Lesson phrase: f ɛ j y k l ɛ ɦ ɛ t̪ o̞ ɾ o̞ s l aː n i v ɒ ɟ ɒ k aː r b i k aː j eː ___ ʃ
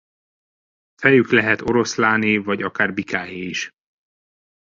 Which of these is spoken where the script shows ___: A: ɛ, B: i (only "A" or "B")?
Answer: B